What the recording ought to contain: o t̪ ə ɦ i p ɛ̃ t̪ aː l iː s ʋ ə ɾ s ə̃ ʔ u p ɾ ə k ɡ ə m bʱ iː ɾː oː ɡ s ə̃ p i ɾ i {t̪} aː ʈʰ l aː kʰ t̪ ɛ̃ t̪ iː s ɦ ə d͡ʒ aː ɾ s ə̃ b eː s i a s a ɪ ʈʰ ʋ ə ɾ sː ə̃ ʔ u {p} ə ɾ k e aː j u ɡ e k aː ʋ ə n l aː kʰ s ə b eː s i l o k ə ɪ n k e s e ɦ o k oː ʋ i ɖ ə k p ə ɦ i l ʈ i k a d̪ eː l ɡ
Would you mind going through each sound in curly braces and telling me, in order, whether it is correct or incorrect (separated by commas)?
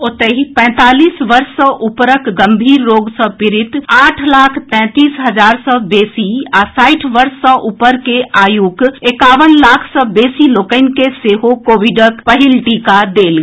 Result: correct, correct